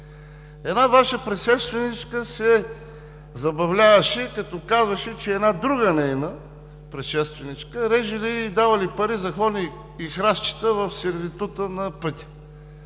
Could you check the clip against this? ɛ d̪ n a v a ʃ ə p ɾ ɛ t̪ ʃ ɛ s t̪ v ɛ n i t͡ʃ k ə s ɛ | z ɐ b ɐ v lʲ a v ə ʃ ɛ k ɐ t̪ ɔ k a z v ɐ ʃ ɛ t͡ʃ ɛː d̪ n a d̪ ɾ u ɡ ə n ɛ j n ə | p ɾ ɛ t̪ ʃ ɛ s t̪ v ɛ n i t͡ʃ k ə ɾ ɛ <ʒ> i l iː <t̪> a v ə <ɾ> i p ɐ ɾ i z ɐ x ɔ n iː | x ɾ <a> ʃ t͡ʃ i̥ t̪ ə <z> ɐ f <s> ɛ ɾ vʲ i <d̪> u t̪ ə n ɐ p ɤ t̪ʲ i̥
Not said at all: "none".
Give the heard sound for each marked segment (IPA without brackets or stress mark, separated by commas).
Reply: ʒ, d̪, l, a, v, s, t̪